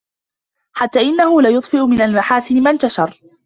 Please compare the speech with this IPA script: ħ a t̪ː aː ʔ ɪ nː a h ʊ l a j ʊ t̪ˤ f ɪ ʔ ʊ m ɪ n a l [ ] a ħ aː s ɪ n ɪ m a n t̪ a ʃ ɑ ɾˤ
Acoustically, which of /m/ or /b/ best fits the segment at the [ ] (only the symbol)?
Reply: m